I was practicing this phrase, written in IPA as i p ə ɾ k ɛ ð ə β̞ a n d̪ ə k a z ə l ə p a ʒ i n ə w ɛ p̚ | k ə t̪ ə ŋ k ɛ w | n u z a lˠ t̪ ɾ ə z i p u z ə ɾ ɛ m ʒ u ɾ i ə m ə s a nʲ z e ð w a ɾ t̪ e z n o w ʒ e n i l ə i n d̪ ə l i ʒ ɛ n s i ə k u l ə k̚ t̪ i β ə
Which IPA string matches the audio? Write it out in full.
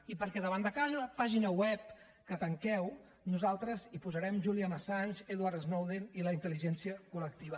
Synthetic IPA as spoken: i p ə ɾ k ɛ ð ə β̞ a n d̪ ə k a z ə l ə p a ʒ i n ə w ɛ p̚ | k ə t̪ ə ŋ k ɛ w | n u z a lˠ t̪ ɾ ə z i p u z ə ɾ ɛ m ʒ u l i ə m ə s a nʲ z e ð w a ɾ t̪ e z n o w ð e n i l ə i n t̪ ə l i ʒ ɛ n s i ə k u l ə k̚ t̪ i β ə